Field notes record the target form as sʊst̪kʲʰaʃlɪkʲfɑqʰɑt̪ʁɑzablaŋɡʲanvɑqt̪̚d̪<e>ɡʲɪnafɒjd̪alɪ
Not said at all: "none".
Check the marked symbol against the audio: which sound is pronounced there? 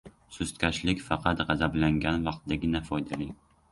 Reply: a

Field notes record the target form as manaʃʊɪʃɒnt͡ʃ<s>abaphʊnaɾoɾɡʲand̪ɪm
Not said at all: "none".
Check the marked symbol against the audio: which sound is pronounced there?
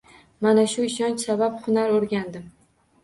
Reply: s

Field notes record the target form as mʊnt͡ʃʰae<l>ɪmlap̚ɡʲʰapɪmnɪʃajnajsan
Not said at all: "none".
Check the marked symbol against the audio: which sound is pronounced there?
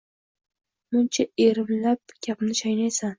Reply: ɾ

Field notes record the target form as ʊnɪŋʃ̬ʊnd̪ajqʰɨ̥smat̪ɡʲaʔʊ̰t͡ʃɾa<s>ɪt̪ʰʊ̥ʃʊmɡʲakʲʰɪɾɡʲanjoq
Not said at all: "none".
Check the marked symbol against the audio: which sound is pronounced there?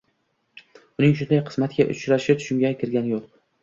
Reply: ʃ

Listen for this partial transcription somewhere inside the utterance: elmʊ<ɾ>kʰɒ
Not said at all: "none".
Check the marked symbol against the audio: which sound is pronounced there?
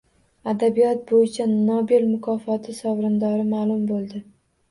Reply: none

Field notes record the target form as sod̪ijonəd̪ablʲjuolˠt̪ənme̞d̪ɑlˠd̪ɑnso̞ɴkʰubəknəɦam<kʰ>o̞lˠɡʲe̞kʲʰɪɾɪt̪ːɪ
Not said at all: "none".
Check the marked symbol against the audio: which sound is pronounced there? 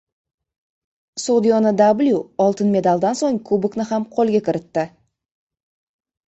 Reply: qʰ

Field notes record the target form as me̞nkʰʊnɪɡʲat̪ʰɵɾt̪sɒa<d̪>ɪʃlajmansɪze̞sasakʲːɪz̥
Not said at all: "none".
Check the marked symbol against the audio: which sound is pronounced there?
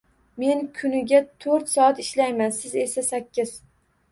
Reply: t̪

